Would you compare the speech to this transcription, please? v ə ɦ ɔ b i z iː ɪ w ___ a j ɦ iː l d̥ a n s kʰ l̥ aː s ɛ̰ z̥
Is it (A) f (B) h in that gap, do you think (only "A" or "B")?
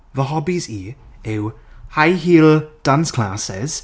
B